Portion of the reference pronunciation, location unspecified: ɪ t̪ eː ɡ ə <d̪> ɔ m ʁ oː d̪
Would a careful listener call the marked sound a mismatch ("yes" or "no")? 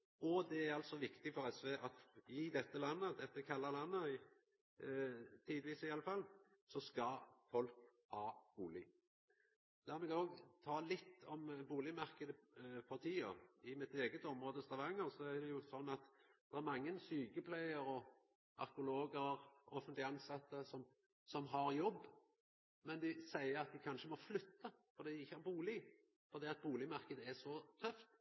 yes